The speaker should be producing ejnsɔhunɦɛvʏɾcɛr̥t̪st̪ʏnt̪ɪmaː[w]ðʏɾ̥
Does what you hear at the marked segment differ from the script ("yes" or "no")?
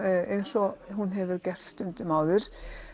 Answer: no